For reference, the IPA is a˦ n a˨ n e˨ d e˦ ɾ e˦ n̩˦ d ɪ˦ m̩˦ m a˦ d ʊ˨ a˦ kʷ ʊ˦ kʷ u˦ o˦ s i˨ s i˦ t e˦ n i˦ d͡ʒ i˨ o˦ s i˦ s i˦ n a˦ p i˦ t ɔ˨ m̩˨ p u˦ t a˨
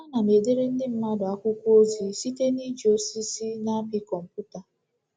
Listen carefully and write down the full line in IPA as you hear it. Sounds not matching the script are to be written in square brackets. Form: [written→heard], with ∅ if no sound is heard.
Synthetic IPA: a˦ n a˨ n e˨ d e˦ ɾ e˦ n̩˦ d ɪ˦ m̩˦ m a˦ d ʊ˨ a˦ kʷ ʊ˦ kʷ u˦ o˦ [s→z] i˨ s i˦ t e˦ n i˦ d͡ʒ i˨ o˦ s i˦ s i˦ n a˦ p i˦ [t→k] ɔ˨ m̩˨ p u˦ t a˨